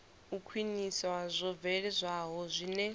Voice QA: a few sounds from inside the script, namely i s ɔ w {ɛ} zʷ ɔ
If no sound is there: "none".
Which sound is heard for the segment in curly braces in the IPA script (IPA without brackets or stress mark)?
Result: a